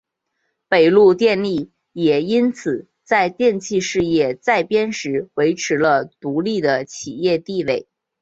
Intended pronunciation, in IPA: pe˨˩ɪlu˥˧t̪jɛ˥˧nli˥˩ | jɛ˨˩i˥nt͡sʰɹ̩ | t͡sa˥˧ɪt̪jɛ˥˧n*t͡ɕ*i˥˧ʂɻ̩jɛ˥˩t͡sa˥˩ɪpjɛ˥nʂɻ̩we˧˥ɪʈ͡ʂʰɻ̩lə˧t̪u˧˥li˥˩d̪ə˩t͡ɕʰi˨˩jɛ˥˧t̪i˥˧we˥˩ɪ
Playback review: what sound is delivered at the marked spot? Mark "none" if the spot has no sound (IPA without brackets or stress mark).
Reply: t͡ɕʰ